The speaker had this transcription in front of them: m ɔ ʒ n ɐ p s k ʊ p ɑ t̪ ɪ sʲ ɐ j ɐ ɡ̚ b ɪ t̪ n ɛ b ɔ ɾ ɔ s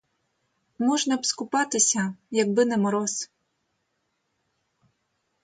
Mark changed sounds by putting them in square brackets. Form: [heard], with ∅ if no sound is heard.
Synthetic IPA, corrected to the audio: m ɔ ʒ n ɐ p s k ʊ p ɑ t̪ ɪ sʲ ɐ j ɐ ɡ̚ b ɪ [∅] n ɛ [m] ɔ ɾ ɔ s